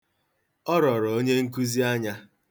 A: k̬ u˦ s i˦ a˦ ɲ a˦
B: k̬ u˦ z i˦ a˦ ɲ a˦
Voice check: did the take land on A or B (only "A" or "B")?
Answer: B